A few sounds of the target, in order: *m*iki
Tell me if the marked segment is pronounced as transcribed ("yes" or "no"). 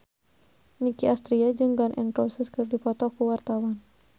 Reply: no